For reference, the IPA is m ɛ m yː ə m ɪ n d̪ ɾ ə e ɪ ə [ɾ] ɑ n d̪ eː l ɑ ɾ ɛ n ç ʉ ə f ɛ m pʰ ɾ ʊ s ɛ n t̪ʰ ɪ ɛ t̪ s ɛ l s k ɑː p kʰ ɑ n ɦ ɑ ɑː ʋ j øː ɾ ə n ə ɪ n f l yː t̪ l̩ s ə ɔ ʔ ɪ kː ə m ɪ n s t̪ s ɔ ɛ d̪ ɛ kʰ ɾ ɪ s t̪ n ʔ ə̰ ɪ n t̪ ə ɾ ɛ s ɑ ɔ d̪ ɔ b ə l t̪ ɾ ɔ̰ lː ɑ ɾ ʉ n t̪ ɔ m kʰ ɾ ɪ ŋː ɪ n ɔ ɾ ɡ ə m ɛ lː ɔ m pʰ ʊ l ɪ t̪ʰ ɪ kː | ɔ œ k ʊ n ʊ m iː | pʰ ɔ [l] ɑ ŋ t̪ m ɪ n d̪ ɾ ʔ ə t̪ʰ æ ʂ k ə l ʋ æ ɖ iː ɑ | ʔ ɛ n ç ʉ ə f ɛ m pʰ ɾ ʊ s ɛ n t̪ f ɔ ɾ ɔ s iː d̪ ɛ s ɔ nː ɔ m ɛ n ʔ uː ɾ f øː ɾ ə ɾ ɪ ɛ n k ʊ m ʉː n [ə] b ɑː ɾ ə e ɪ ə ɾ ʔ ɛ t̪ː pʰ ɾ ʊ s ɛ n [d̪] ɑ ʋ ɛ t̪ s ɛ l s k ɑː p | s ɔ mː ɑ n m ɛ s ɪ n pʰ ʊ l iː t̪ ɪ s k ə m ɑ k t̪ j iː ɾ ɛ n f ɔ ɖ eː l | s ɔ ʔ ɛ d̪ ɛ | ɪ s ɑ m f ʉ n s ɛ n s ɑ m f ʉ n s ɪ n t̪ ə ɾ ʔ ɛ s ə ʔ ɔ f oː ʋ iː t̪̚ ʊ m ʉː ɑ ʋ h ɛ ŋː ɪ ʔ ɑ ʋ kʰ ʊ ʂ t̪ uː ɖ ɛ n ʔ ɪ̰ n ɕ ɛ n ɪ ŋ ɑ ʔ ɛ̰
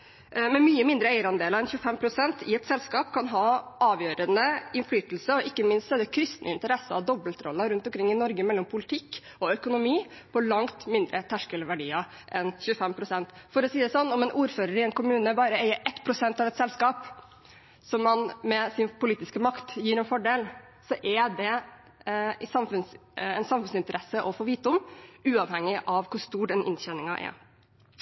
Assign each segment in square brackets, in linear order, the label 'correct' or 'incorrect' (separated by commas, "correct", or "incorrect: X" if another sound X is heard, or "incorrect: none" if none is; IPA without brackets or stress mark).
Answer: correct, correct, correct, incorrect: t̪